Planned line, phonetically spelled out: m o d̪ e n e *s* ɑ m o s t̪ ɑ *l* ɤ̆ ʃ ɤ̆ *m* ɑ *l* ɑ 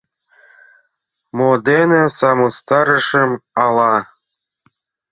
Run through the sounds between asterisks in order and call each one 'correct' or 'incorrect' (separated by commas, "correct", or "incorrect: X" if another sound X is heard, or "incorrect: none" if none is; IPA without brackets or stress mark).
correct, incorrect: ɾ, correct, correct